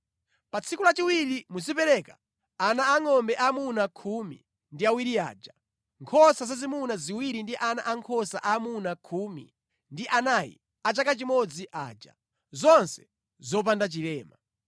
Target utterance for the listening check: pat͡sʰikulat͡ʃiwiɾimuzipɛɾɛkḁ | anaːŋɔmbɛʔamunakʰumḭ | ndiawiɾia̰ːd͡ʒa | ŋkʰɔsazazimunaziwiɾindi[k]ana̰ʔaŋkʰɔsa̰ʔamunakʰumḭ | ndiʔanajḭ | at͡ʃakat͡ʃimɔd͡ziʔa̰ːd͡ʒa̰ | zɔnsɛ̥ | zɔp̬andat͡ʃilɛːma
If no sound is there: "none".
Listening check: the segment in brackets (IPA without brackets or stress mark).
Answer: ʔ